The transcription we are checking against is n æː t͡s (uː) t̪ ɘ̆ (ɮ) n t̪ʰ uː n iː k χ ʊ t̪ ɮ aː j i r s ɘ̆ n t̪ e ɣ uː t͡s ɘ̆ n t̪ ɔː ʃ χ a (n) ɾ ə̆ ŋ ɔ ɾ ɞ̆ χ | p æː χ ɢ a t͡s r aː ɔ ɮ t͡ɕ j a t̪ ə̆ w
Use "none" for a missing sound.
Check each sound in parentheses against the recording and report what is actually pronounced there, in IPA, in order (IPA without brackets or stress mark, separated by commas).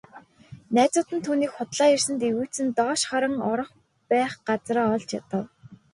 ʊː, none, none